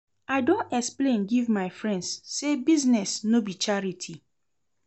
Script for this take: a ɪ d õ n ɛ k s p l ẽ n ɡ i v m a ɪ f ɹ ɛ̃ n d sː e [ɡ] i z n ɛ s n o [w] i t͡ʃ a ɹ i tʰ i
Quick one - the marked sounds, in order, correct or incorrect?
incorrect: b, incorrect: b

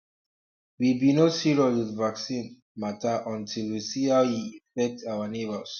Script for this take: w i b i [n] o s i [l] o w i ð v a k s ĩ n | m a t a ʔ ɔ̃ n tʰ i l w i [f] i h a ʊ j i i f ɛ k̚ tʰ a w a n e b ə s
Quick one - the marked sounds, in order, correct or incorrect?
correct, incorrect: ɹ, incorrect: s

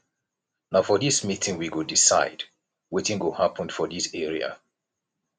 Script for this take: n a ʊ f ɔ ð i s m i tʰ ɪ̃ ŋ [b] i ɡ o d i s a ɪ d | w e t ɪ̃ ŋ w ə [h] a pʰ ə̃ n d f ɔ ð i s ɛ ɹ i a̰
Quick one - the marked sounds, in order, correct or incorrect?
incorrect: w, correct

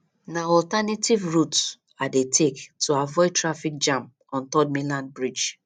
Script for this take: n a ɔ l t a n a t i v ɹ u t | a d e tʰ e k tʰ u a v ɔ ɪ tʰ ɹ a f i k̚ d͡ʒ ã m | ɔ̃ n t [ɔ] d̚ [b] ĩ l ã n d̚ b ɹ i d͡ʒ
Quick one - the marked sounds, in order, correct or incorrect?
correct, incorrect: m

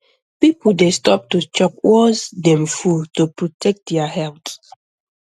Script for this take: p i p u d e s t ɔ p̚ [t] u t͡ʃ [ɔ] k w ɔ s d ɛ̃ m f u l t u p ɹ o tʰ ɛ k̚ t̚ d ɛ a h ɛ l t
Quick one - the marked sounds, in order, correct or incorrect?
correct, correct

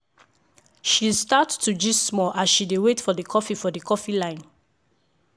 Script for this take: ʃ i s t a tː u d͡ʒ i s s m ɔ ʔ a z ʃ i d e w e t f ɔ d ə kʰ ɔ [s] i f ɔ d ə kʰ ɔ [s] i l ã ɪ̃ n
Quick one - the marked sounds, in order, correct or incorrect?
incorrect: f, incorrect: f

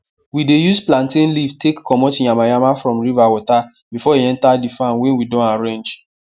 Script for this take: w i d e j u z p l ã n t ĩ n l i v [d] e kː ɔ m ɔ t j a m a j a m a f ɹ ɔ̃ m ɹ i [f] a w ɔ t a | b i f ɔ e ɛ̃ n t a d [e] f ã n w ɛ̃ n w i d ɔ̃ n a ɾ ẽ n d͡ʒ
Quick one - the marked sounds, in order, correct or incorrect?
incorrect: t, incorrect: v, incorrect: i

